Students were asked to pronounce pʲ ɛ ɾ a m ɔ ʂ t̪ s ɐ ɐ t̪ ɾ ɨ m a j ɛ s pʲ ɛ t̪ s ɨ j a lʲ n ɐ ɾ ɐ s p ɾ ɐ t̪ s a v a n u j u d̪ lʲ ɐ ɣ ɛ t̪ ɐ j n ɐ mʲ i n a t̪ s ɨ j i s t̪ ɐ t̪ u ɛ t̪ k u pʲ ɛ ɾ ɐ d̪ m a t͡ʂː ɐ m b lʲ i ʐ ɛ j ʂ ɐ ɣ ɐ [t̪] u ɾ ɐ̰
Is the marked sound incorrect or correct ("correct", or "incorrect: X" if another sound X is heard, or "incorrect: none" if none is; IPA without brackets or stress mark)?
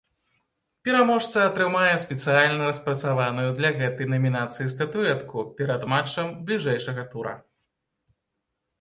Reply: correct